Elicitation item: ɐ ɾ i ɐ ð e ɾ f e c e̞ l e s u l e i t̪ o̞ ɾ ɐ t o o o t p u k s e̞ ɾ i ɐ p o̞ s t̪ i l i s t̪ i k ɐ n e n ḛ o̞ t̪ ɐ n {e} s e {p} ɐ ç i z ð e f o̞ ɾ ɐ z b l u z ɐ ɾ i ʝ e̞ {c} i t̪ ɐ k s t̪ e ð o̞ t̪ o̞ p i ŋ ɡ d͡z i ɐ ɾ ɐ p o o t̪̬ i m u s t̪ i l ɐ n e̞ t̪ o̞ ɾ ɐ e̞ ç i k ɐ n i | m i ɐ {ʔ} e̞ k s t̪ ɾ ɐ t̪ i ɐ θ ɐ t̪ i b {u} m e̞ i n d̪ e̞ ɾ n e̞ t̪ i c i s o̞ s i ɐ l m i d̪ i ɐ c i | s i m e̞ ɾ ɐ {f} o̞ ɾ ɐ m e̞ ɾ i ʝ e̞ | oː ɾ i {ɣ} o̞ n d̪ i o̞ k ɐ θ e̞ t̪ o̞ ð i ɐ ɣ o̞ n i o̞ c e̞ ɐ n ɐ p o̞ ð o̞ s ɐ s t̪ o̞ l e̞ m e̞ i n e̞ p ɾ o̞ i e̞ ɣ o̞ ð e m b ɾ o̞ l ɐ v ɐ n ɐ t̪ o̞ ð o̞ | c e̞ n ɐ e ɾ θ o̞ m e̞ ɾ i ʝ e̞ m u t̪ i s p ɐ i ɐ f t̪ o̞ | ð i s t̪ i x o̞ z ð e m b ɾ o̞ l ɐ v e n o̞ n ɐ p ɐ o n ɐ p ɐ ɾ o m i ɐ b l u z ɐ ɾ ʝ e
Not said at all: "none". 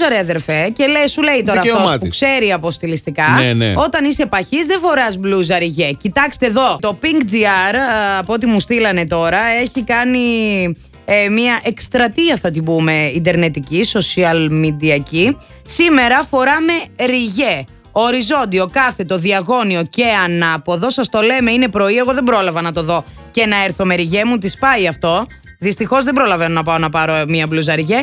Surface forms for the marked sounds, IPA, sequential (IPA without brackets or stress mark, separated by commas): i, p, c, ʔ, u, f, z